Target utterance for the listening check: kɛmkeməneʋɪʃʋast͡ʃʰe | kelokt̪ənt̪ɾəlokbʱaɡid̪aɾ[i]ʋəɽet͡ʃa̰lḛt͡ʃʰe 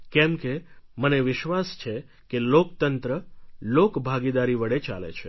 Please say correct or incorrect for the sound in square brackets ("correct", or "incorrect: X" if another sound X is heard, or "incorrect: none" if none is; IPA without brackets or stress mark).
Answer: correct